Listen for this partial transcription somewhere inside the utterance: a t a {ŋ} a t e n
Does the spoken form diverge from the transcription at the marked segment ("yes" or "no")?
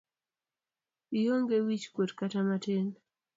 yes